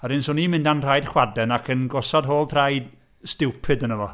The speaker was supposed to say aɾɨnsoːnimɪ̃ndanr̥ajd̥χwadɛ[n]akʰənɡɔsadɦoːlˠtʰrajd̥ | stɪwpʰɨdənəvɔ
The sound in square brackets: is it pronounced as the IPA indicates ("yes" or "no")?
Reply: yes